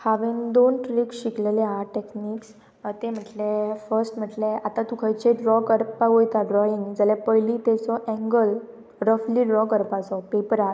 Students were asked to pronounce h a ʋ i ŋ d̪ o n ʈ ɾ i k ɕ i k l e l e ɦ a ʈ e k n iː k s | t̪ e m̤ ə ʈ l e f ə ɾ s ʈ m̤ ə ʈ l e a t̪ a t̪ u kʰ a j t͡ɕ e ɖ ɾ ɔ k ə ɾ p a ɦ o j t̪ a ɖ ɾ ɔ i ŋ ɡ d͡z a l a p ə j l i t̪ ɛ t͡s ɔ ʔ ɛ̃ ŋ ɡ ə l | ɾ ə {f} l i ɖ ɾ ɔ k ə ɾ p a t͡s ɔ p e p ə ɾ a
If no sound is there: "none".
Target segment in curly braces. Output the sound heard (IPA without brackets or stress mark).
f